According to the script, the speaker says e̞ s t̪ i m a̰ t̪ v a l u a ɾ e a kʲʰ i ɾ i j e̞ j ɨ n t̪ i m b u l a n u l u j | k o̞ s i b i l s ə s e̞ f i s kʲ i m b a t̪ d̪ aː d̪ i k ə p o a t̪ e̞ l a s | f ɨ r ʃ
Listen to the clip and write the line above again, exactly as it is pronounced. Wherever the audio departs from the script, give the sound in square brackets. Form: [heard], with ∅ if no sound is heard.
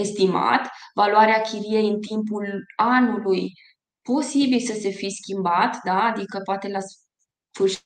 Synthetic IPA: e̞ s t̪ i m a̰ t̪ v a l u a ɾ e a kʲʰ i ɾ i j e̞ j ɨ n t̪ i m [p] u l a n u l u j | [p] o̞ s i b i l s ə s e̞ f i s kʲ i m b a t̪ d̪ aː d̪ i k ə p o a t̪ e̞ l a s | f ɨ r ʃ